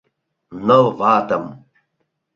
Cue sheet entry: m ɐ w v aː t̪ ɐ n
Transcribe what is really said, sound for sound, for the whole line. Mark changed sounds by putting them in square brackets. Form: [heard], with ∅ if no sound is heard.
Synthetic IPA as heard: [n] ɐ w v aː t̪ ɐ [m]